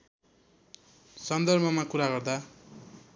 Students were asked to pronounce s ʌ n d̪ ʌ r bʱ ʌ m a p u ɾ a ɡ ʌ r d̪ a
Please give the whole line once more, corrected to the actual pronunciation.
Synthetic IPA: s ʌ n d̪ ʌ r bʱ ʌ m a k u ɾ a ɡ ʌ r d̪ a